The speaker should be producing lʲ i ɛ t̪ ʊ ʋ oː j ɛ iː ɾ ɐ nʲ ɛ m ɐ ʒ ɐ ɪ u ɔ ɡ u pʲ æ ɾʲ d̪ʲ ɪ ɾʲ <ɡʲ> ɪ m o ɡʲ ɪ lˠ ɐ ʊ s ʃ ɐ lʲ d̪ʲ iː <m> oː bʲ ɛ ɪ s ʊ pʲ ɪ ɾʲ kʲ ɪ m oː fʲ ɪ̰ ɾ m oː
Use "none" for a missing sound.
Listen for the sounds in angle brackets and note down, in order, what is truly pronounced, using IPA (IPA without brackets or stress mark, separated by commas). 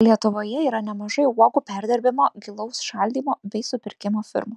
bʲ, m